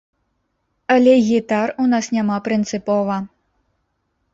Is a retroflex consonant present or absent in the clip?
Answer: absent